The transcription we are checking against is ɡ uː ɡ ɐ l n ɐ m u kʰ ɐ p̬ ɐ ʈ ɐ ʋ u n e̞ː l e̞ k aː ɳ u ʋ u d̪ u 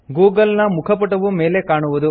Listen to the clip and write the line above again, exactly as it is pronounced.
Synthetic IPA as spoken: ɡ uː ɡ ɐ l n ɐ m u kʰ ɐ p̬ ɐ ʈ ɐ ʋ u m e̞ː l e̞ k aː ɳ u ʋ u d̪ u

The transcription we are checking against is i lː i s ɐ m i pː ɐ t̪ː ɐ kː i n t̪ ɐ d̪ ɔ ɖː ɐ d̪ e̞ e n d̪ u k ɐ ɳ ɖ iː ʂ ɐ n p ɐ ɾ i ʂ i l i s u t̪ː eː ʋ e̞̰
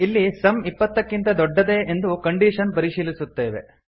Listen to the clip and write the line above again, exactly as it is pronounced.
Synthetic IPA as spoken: i lː i s ɐ m i pː ɐ t̪ː ɐ kː i n t̪ ɐ d̪ ɔ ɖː ɐ d̪ e̞ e n d̪ u k ɐ ɳ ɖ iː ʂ ɐ n p ɐ ɾ i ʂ iː l i s u t̪ː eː ʋ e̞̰

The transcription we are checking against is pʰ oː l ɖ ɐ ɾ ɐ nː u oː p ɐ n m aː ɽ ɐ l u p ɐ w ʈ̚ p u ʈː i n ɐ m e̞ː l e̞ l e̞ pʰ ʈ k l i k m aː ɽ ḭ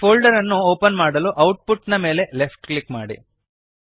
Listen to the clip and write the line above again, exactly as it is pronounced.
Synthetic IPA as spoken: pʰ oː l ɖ ɐ ɾ ɐ nː u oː p ɐ n m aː ɽ ɐ l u ʔ ɐ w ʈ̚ p u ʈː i n ɐ m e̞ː l e̞ l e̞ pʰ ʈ k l i k m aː ɽ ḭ

